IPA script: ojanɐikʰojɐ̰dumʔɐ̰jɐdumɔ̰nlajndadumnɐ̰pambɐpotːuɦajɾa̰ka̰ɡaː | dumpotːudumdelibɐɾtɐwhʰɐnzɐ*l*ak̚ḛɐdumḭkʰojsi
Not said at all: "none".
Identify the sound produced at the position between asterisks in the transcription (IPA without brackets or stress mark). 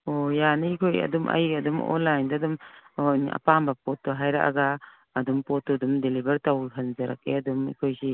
ɾ